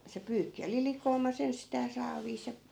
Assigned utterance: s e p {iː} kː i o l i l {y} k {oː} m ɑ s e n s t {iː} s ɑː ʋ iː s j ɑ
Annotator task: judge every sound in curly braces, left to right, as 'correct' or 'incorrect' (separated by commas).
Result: incorrect, incorrect, correct, incorrect